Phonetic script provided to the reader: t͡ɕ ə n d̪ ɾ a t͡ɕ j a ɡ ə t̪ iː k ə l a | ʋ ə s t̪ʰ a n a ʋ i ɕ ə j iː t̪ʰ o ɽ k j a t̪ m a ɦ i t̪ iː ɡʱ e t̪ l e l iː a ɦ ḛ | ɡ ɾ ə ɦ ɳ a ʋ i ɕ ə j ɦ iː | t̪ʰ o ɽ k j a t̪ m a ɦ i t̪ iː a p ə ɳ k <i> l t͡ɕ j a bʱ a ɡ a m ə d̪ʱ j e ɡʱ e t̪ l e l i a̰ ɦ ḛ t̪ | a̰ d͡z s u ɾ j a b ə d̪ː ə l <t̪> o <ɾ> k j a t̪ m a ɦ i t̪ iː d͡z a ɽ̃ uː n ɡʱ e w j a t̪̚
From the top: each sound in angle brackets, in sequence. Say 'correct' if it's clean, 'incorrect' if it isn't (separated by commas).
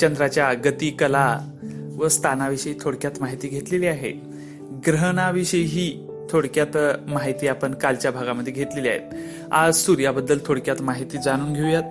incorrect, incorrect, incorrect